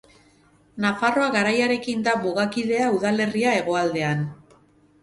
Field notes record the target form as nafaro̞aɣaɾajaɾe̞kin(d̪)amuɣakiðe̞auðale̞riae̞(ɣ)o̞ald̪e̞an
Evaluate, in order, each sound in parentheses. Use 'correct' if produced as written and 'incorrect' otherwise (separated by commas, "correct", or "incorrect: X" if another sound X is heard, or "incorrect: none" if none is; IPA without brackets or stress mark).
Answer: correct, correct